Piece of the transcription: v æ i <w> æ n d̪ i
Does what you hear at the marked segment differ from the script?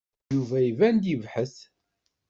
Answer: yes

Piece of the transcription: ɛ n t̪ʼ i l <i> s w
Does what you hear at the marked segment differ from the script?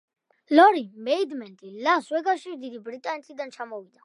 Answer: yes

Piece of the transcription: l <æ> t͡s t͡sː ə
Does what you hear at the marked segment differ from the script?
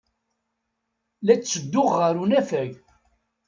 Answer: no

